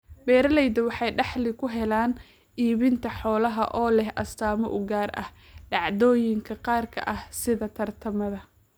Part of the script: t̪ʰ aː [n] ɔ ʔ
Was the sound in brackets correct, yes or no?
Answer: no